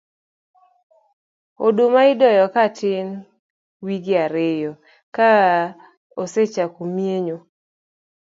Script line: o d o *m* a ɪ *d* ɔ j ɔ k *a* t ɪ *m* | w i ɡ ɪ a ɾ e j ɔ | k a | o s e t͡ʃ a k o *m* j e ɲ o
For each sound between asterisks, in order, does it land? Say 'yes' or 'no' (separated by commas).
yes, yes, yes, no, yes